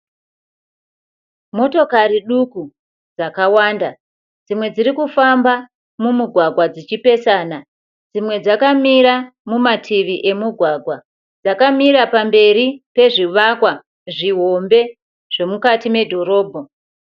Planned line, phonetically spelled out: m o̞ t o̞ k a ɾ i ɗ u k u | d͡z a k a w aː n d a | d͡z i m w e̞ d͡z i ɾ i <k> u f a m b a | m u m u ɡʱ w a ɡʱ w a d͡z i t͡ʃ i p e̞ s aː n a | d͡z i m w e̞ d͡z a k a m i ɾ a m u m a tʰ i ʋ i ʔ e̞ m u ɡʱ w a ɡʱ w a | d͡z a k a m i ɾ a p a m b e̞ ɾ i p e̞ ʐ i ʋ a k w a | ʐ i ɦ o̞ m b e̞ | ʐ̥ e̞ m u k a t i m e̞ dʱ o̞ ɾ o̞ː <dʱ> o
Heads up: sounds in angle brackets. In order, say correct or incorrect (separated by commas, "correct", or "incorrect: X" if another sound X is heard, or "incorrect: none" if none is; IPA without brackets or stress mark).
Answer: correct, incorrect: bʱ